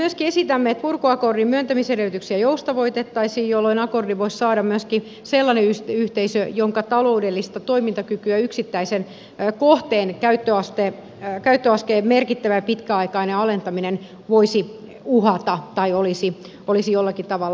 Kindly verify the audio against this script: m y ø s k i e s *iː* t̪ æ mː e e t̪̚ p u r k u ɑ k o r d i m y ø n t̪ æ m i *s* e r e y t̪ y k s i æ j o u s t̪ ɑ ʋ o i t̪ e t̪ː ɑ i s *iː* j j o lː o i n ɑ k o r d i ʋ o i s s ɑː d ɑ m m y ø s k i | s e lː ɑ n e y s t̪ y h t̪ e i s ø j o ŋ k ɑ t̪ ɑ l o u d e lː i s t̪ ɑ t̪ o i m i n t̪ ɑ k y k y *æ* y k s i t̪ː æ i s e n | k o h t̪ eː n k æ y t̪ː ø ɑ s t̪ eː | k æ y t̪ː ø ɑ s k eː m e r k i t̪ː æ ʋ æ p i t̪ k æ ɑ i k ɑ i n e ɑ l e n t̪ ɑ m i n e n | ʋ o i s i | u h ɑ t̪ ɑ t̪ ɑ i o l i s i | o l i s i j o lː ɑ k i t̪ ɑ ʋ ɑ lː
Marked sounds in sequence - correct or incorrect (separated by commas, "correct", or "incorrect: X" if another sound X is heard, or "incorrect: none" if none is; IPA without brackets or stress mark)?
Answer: incorrect: i, correct, correct, correct